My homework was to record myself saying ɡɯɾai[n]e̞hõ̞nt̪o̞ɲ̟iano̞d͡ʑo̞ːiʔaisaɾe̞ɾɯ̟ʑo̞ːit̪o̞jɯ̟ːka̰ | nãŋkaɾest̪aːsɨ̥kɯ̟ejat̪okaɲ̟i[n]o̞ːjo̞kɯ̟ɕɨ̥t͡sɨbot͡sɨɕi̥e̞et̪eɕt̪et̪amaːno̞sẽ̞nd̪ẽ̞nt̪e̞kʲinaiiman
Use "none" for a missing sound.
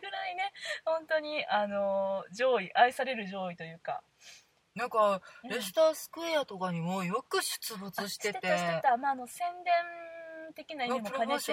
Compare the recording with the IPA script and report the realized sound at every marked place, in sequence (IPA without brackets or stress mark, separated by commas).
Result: n, m